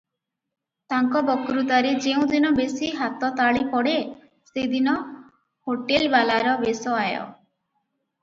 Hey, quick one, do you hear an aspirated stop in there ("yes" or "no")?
no